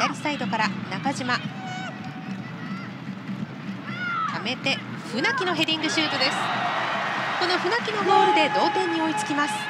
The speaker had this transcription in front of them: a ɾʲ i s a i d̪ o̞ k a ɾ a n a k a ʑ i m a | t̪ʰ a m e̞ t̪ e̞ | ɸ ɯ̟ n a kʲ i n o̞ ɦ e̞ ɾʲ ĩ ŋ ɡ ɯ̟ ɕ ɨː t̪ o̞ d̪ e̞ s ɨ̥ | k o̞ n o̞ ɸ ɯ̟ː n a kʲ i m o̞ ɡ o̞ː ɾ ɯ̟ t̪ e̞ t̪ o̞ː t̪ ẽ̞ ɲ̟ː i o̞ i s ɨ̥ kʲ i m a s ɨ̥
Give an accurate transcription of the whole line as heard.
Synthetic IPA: a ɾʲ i s a i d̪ o̞ k a ɾ a n a k a ʑ i m a | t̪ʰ a m e̞ t̪ e̞ | ɸ ɯ̟ n a kʲ i n o̞ ɦ e̞ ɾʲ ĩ ŋ ɡ ɯ̟ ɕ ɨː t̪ o̞ d̪ e̞ s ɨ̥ | k o̞ n o̞ ɸ ɯ̟ n a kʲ i n o̞ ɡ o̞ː ɾ ɯ̟ d̪ e̞ d̪ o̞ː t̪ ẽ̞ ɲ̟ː i o̞ i t͡s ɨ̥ kʲ i m a s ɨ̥